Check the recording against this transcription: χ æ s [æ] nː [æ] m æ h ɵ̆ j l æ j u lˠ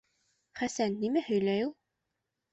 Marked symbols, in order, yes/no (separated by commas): yes, no